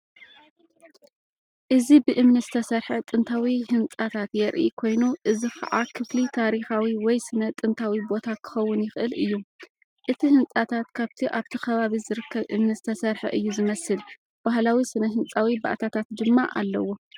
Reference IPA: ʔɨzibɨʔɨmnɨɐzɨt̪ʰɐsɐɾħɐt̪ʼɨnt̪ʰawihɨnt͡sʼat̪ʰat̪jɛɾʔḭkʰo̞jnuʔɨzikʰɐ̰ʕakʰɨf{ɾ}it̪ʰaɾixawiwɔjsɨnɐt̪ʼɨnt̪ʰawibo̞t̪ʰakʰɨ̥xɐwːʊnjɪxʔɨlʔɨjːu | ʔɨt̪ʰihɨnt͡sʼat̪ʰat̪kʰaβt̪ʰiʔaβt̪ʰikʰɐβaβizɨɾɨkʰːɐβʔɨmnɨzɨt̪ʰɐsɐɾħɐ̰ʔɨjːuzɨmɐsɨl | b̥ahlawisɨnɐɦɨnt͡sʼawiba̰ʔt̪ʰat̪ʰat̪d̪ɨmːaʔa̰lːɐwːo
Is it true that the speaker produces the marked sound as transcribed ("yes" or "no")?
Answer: no